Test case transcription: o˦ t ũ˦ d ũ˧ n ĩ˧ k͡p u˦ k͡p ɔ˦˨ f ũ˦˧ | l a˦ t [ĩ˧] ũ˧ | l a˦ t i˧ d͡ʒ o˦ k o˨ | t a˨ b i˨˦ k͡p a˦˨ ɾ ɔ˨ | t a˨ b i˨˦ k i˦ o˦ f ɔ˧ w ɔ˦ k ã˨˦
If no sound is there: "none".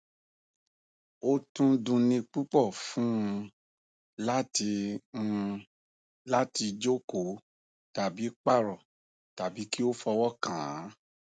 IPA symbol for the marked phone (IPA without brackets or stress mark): i˧